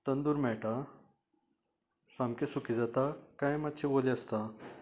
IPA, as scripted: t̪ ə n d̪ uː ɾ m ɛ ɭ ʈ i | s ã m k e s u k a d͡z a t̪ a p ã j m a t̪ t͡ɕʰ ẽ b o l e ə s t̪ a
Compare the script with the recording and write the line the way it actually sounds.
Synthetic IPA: t̪ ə n d̪ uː ɾ m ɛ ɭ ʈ a | s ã m k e s u k i d͡z a t̪ a k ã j m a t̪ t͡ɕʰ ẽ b o l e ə s t̪ a